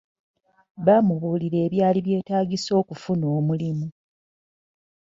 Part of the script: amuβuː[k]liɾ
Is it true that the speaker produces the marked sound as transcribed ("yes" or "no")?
no